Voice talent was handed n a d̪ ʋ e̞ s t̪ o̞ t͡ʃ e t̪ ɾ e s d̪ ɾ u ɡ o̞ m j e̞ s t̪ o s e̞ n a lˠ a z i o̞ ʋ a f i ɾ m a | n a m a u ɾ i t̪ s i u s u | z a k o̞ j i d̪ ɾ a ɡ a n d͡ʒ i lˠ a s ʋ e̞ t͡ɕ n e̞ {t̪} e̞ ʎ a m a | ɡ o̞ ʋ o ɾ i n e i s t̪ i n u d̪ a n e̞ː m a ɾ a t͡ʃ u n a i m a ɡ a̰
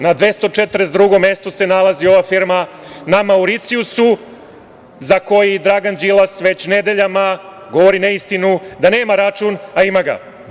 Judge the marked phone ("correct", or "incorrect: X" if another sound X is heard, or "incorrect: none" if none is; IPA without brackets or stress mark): incorrect: d̪